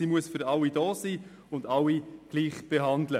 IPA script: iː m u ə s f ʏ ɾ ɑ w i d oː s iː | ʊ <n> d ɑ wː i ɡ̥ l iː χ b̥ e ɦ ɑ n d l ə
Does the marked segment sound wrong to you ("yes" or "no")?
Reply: no